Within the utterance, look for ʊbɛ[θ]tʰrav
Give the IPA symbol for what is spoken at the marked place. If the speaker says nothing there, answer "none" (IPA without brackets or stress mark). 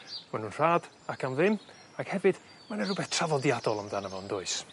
θ